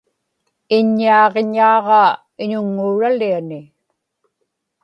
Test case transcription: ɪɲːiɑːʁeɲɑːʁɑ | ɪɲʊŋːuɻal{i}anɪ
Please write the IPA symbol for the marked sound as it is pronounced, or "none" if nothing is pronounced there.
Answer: i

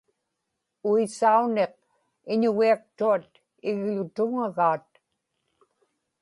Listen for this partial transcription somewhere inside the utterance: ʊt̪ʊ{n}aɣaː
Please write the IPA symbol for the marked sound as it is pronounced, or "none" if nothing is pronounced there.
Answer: ŋ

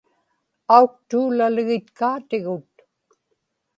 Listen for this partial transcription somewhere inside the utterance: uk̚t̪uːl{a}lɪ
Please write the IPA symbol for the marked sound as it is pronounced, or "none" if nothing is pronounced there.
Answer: a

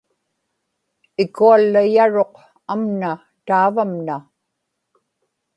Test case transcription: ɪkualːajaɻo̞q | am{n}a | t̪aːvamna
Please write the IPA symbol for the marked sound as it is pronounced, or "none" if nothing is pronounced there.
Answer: n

